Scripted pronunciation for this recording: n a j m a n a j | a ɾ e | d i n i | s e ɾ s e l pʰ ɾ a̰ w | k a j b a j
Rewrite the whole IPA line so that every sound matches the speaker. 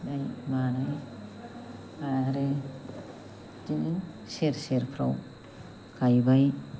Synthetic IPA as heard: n a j m a n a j | a ɾ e | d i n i | s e ɾ s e ɾ pʰ ɾ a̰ w | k a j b a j